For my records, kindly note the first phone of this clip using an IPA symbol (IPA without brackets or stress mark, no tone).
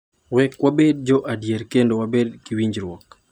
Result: w